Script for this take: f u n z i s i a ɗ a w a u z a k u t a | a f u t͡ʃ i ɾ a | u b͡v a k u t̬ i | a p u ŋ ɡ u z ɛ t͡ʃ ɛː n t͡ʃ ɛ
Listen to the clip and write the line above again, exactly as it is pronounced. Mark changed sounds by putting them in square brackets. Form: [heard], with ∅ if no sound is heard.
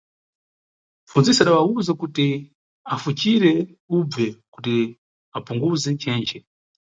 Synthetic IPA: f u n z i s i a ɗ a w a u z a k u t [i] | a f u t͡ʃ i ɾ [ɛ] | u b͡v [ɛ] k u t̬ i | a p u ŋ ɡ u z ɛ t͡ʃ ɛː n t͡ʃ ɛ